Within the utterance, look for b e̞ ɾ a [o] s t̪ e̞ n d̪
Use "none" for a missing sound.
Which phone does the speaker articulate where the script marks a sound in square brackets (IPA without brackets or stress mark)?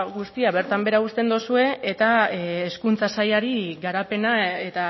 u